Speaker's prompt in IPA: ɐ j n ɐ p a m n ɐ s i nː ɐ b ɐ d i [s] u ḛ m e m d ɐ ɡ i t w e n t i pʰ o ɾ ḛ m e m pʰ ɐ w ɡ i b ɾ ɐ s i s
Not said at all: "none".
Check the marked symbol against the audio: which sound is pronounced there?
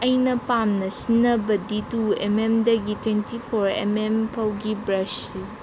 t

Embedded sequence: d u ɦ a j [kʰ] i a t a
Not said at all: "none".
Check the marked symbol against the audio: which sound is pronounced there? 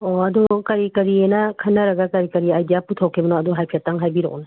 pʰ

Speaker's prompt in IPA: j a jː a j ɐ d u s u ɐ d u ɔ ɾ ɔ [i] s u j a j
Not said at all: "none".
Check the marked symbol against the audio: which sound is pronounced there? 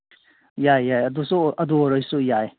j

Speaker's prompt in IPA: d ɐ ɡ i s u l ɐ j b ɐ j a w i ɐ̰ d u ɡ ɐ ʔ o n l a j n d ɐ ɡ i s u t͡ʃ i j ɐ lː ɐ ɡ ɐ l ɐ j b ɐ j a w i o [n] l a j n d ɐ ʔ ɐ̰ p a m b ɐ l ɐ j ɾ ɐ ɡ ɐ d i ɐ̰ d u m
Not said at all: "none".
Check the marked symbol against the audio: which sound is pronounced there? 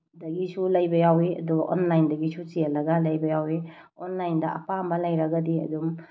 n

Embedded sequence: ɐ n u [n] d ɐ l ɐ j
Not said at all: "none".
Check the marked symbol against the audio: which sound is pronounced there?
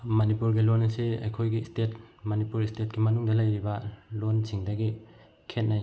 ŋ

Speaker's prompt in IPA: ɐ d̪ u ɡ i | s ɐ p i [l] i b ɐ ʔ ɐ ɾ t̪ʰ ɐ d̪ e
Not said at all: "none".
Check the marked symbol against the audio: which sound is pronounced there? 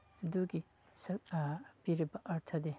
ɾ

